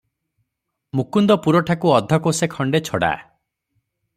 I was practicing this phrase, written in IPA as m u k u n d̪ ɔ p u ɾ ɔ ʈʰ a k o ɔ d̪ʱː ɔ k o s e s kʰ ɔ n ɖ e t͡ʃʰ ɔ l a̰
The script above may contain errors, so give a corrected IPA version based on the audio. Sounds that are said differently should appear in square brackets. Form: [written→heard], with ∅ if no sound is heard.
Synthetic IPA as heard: m u k u n d̪ ɔ p u ɾ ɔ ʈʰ a k [o→u] ɔ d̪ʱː ɔ k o s e [s→∅] kʰ ɔ [n→ɳ] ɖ e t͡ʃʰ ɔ [l→ɽ] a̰